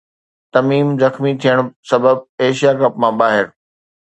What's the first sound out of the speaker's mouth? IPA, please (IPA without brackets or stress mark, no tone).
t̪